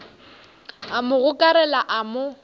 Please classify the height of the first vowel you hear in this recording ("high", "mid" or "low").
low